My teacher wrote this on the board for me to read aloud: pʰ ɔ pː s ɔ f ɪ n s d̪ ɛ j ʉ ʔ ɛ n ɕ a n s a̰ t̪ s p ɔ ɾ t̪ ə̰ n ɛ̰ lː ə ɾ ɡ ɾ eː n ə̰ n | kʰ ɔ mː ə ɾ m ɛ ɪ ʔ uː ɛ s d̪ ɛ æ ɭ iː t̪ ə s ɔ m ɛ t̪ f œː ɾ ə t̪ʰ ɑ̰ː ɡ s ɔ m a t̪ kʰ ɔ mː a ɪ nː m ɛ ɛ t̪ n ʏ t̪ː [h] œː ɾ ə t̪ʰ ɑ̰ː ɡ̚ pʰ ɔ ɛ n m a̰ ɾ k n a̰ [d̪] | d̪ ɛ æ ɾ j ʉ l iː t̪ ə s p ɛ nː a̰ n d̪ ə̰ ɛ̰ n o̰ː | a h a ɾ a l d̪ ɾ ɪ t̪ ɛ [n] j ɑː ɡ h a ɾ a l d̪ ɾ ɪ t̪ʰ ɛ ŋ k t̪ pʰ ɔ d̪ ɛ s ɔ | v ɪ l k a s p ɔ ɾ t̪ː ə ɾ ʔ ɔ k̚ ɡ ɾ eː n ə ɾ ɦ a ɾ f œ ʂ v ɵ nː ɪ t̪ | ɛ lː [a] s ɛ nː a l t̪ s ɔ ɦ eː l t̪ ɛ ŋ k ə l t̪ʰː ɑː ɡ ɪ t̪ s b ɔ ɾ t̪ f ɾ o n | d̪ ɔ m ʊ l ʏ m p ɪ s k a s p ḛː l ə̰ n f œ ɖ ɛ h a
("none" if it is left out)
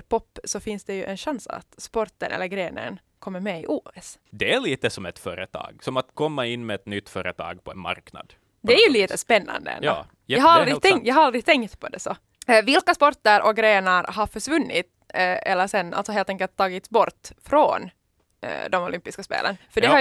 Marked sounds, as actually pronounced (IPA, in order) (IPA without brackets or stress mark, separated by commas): f, d̪, ŋ, ə